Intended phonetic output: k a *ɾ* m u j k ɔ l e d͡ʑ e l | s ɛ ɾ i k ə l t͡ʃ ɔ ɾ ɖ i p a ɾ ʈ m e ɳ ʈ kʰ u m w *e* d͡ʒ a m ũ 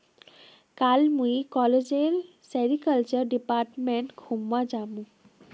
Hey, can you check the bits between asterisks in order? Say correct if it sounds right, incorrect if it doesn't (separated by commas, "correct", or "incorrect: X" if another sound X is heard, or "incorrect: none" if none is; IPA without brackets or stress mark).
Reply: incorrect: l, incorrect: a